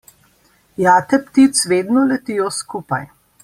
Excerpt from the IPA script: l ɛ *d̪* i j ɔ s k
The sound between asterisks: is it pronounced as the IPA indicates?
no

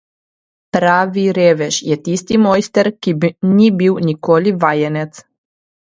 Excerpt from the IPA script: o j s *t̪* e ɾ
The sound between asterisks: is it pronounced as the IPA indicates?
yes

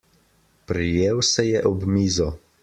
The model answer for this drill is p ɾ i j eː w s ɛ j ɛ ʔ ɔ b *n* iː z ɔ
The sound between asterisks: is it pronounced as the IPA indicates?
no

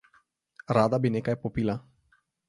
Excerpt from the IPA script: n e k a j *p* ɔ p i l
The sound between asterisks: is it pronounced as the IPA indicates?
yes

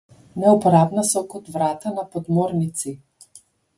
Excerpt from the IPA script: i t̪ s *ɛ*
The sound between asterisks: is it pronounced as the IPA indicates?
no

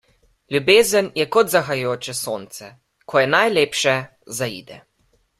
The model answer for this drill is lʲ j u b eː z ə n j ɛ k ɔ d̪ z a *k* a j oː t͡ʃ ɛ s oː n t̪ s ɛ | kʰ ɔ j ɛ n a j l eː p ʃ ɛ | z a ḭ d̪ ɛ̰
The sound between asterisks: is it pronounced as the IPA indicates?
no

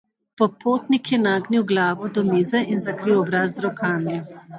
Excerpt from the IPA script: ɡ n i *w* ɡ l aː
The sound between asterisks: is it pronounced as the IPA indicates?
yes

